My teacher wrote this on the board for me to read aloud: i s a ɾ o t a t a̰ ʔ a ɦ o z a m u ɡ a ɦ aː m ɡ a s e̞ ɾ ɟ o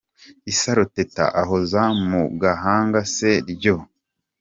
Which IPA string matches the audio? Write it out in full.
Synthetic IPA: i s a ɾ o t e t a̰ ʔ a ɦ o z a m u ɡ a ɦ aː ŋ ɡ a s e̞ ɾ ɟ o